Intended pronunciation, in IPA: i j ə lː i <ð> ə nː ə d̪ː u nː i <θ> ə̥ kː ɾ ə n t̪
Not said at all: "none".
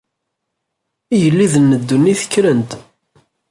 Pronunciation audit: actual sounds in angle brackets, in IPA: ð, θ

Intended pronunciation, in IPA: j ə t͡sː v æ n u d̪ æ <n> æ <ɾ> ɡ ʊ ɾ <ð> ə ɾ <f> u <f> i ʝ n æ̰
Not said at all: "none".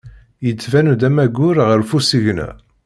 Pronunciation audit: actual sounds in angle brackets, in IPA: m, none, ʁ, f, s

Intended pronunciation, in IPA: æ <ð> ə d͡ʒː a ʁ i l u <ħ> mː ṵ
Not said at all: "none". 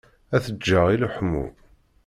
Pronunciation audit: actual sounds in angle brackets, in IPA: θ, ħ

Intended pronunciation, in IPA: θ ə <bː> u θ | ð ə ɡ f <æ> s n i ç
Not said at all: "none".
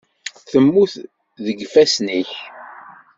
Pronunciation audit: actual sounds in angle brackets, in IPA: mː, æ

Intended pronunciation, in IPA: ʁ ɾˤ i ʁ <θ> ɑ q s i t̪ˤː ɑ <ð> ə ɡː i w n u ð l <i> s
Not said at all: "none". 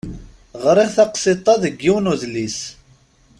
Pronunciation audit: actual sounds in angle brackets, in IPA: θ, ð, i

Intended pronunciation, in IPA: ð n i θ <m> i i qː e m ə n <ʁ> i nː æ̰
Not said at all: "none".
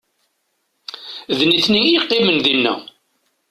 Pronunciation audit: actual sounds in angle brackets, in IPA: n, ð

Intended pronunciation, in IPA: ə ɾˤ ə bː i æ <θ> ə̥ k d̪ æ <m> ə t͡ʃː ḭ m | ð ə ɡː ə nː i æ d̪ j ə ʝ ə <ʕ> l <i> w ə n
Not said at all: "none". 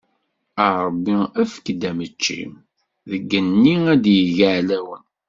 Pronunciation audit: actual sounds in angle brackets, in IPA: f, m, ʕ, æ

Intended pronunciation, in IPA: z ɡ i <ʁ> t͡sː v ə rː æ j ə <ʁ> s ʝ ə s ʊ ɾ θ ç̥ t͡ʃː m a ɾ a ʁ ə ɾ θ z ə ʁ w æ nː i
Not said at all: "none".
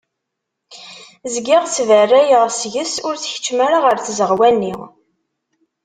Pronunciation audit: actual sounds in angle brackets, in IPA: ʁ, ʁ

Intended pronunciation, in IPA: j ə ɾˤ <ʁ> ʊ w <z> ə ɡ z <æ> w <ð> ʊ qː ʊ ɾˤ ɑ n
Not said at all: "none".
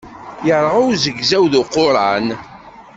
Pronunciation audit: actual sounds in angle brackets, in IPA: ʁ, z, æ, ð

